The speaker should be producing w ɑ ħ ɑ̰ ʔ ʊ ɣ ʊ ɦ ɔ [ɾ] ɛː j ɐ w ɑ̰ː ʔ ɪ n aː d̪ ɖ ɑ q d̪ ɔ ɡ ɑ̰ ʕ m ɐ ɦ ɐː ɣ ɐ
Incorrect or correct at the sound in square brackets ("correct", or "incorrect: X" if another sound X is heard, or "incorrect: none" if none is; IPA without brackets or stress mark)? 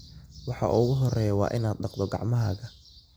incorrect: r